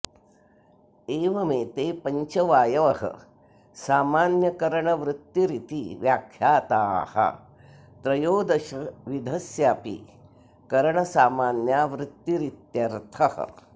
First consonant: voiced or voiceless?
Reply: voiced